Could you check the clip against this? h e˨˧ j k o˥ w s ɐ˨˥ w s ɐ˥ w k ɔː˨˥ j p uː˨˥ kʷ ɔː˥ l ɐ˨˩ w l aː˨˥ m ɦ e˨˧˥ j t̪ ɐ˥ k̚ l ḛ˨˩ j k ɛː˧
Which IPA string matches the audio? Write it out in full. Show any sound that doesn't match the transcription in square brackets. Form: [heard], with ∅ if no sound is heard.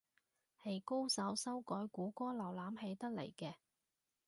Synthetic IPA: h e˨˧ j k o˥ w s ɐ˨˥ w s ɐ˥ w k ɔː˨˥ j [k] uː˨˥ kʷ ɔː˥ l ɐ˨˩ w l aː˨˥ m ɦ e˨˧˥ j t̪ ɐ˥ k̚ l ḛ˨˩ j k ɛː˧